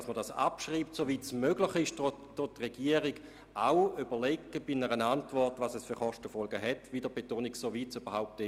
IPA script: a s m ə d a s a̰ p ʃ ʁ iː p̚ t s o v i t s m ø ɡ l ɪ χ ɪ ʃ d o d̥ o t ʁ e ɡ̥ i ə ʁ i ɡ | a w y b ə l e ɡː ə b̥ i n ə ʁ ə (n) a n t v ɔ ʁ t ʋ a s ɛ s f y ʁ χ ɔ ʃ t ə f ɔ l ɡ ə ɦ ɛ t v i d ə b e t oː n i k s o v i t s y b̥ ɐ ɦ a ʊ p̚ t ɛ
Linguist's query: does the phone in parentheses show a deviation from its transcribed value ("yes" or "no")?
no